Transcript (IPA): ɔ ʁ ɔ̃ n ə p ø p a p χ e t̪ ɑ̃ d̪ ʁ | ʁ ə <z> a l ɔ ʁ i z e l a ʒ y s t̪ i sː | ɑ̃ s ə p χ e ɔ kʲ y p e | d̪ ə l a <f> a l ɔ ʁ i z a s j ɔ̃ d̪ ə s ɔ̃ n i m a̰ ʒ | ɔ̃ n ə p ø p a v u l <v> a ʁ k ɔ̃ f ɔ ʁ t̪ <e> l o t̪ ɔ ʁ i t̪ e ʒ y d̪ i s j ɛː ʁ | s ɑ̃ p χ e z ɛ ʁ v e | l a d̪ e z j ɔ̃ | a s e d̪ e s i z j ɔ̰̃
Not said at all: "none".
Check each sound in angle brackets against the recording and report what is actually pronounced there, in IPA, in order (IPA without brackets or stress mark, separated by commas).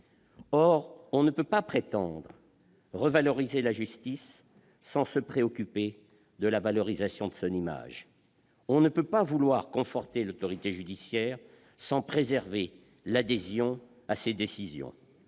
v, v, w, e